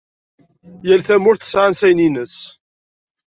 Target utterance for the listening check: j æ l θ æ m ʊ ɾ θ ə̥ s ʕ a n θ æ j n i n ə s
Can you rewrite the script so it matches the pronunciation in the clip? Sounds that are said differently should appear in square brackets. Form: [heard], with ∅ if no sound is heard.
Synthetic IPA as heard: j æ l θ æ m ʊ ɾ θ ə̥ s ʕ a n [s] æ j n i n ə s